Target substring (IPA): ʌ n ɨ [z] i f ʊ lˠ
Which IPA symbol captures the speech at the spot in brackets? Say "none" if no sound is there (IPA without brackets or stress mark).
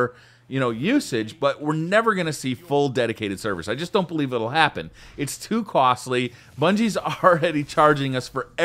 s